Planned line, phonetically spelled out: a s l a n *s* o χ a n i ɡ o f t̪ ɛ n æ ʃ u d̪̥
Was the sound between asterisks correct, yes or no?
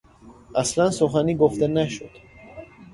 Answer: yes